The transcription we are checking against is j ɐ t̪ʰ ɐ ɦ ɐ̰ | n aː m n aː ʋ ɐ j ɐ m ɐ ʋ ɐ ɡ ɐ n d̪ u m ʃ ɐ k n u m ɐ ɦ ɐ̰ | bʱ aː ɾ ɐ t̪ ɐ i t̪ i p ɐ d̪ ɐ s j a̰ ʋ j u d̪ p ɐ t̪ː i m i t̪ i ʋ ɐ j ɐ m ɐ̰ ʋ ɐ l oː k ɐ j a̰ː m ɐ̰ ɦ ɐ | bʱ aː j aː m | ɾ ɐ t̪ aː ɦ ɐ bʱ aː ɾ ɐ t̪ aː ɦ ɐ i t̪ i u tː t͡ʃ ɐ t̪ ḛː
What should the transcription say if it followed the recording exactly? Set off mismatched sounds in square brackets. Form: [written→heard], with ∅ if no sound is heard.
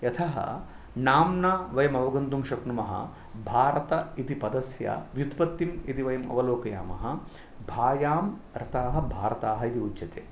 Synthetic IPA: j ɐ t̪ʰ ɐ ɦ ɐ̰ | n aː m n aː ʋ ɐ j ɐ m ɐ ʋ ɐ ɡ ɐ n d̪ u m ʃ ɐ k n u m ɐ ɦ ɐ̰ | bʱ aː ɾ ɐ t̪ ɐ i t̪ i p ɐ d̪ ɐ s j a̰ ʋ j u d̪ p ɐ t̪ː i m i t̪ i ʋ ɐ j ɐ m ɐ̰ ʋ ɐ l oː k ɐ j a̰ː m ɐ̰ ɦ ɐ | bʱ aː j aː m | ɾ ɐ t̪ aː ɦ ɐ bʱ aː ɾ ɐ t̪ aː ɦ ɐ i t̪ i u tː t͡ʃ ɐ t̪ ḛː